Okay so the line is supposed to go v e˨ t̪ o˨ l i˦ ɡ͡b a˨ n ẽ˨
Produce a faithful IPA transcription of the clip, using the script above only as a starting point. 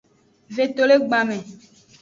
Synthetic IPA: v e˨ t̪ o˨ l e˦ ɡ͡b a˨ m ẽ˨